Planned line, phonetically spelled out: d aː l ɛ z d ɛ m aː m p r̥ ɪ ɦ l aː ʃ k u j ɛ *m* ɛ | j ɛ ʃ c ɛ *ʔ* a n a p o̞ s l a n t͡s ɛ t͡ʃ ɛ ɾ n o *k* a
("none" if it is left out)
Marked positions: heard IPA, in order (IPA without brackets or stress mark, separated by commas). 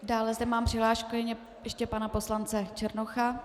ɲ, p, x